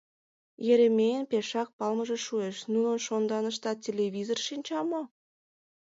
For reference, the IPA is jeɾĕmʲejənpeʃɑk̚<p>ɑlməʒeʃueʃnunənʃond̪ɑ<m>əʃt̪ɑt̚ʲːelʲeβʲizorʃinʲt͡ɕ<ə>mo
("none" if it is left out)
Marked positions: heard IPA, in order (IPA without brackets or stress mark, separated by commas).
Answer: p, n, ɑ